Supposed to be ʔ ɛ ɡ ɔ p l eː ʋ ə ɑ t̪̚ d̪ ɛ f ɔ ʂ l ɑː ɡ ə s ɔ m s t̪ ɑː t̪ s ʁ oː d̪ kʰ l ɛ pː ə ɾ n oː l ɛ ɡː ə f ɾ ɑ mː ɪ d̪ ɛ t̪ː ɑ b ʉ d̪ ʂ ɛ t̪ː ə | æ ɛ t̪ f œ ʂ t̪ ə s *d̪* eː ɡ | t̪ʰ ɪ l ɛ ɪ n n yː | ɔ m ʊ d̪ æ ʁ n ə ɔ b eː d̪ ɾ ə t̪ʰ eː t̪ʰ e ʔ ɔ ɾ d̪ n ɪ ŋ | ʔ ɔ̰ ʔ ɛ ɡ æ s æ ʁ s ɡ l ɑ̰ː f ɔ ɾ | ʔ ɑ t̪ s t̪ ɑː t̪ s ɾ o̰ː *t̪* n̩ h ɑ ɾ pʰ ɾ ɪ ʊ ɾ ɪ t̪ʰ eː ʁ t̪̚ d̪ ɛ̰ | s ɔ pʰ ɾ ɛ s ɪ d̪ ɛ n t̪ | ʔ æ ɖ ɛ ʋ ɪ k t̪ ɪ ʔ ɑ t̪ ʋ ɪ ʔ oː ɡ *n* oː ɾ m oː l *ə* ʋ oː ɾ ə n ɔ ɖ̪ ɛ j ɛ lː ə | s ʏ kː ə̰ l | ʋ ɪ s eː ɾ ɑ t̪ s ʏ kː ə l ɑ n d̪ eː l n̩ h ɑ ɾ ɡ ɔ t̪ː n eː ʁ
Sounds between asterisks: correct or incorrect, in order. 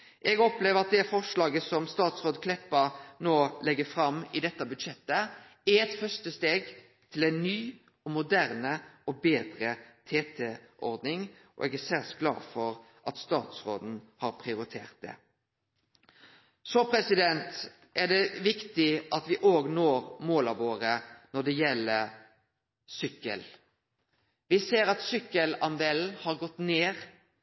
incorrect: t̪, incorrect: d̪, correct, incorrect: ɑ

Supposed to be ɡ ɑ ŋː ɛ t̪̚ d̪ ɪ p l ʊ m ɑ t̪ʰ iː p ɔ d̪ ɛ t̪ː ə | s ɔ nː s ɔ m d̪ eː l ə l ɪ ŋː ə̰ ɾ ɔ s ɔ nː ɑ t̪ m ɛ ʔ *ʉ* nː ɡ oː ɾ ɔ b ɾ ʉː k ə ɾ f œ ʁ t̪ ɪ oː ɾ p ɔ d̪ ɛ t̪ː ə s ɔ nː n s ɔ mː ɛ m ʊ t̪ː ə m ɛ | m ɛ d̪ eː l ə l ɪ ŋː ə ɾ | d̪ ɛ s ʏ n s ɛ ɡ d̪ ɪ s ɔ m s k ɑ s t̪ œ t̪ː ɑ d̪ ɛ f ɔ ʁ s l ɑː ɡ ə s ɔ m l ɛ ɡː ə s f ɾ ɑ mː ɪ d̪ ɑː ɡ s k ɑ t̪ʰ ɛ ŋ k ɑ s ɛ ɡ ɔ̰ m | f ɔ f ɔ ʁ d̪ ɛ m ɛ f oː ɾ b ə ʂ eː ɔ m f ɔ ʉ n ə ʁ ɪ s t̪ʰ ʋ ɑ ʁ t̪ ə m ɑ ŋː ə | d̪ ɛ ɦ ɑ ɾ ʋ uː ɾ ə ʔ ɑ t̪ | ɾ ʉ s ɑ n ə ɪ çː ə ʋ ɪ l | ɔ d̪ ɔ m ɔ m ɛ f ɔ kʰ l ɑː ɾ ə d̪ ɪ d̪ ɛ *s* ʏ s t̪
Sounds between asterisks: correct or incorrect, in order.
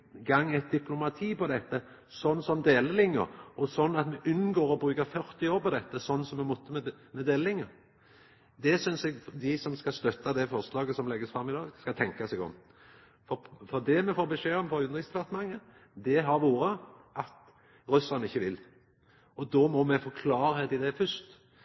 correct, incorrect: f

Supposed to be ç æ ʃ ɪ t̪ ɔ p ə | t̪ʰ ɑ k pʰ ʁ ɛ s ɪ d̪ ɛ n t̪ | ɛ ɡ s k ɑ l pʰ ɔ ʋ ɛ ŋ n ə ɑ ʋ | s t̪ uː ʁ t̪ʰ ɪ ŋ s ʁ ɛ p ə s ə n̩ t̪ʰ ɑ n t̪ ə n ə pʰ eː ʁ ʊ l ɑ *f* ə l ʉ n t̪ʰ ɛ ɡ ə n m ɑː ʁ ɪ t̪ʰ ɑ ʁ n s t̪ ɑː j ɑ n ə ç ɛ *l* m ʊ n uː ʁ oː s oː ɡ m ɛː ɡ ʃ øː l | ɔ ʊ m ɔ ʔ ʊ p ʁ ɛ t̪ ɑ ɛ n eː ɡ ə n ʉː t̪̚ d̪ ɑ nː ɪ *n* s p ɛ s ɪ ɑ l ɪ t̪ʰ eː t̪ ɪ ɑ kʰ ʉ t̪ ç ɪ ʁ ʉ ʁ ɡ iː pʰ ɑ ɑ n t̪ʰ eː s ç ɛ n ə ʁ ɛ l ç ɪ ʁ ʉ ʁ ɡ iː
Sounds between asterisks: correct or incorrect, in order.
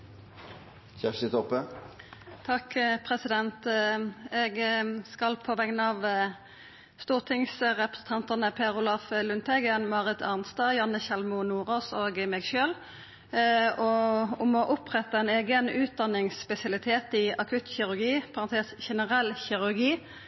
correct, correct, incorrect: ŋ

